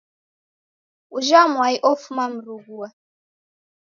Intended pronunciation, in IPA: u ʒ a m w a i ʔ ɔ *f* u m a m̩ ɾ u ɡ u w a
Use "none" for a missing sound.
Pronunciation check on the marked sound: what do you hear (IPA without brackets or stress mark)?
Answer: f